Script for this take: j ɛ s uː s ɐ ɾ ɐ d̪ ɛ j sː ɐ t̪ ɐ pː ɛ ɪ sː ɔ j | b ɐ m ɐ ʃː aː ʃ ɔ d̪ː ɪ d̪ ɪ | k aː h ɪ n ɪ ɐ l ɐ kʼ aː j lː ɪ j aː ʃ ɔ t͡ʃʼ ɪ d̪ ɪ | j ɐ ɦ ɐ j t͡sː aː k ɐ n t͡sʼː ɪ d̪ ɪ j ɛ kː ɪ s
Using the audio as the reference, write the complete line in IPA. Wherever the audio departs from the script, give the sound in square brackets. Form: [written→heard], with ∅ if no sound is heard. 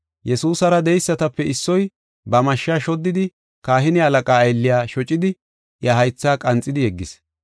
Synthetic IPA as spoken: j ɛ s uː s ɐ ɾ ɐ d̪ ɛ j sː ɐ t̪ ɐ pː ɛ ɪ sː ɔ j | b ɐ m ɐ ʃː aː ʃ ɔ d̪ː ɪ d̪ ɪ | k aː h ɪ n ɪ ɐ l ɐ kʼ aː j lː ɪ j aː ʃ ɔ t͡ʃʼ ɪ d̪ ɪ | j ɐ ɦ ɐ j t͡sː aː [k→kʼ] ɐ n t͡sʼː ɪ d̪ ɪ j ɛ [kː→ɡː] ɪ s